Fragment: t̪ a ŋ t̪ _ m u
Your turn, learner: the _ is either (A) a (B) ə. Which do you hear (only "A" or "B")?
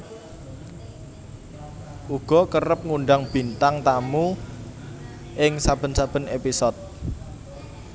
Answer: A